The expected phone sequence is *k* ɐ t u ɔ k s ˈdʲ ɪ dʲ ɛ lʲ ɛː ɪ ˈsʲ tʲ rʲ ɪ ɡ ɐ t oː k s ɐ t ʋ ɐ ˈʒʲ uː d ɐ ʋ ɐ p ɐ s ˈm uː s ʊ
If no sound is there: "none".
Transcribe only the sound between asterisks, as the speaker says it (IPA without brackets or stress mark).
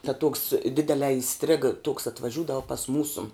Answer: t